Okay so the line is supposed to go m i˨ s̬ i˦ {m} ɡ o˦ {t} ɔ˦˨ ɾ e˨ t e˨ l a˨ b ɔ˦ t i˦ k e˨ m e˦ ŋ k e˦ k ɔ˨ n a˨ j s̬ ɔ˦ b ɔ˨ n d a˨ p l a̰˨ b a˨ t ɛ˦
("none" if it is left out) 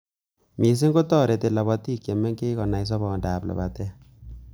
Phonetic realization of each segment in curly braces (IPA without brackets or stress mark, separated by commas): ŋ, t